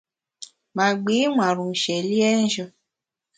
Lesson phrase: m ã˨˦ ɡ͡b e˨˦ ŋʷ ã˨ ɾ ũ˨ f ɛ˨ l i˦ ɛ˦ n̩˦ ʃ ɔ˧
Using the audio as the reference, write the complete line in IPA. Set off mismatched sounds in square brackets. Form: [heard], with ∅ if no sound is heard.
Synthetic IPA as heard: m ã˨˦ ɡ͡b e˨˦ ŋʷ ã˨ ɾ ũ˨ [ʃ] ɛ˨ l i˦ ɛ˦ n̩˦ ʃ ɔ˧

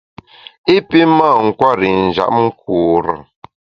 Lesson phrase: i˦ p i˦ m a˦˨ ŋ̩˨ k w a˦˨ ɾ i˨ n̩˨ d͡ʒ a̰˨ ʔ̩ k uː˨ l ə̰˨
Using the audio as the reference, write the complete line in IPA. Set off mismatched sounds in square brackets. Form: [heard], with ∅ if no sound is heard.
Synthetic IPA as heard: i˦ p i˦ m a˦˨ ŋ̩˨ k w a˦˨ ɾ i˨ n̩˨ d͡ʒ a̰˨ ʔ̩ k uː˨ [ɾ] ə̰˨

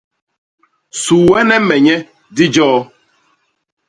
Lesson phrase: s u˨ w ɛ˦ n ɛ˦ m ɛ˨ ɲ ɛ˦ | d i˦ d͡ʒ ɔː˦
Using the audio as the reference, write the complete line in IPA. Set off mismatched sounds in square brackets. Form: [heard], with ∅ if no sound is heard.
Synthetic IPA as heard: s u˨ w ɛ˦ n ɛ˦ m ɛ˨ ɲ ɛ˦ | d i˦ d͡ʒ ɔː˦

